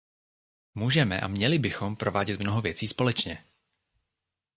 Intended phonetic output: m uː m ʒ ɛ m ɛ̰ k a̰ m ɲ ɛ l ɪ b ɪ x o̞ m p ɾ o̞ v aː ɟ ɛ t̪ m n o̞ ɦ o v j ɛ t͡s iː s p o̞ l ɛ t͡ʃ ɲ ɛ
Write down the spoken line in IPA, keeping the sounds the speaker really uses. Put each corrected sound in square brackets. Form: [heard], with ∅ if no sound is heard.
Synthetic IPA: m uː [∅] ʒ ɛ m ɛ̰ [ʔ] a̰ m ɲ ɛ l ɪ b ɪ x o̞ m p ɾ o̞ v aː ɟ ɛ t̪ m n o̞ ɦ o v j ɛ t͡s iː s p o̞ l ɛ t͡ʃ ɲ ɛ